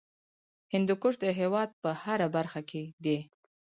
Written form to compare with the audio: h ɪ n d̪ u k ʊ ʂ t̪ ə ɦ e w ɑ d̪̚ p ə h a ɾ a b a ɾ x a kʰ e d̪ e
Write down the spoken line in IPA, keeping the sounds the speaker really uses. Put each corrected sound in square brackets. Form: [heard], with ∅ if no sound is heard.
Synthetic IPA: h ɪ n d̪ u k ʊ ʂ [d̪] ə ɦ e w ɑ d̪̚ p ə h a ɾ a b a ɾ x a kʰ e d̪ e